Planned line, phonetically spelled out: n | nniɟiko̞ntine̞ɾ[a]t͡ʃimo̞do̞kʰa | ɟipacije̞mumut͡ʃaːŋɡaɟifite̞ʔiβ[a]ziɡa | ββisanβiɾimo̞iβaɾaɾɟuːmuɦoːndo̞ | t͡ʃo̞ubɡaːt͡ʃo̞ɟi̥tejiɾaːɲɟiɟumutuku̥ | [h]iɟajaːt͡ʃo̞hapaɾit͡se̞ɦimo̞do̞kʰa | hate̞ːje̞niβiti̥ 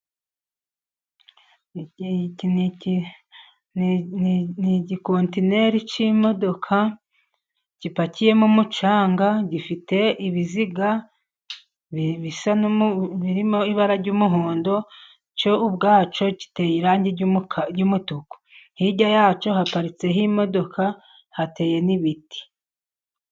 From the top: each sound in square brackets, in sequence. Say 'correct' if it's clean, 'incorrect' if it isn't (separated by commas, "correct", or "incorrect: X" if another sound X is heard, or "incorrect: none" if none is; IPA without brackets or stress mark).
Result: incorrect: i, incorrect: i, correct